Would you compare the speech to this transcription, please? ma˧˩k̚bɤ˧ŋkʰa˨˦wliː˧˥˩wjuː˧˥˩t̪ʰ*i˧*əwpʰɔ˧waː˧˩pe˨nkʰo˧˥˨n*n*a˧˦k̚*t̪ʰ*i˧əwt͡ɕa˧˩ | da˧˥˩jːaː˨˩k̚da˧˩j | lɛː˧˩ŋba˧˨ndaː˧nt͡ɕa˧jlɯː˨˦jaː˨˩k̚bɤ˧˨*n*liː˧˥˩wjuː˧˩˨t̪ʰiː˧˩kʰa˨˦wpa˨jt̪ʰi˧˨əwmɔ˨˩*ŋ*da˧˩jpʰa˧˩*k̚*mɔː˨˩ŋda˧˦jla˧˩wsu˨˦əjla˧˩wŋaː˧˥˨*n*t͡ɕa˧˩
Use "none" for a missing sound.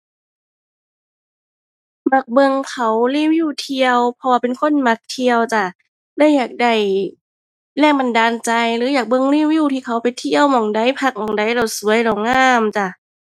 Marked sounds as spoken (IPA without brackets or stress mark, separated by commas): i˧, m, t̪ʰ, ŋ, ŋ, k̚, m